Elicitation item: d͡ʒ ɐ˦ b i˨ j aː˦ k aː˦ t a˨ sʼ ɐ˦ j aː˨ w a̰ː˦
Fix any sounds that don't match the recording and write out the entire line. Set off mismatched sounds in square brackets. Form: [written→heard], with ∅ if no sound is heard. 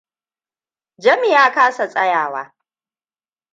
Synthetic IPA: d͡ʒ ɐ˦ [b→m] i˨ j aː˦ k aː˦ [t→s] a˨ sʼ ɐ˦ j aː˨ w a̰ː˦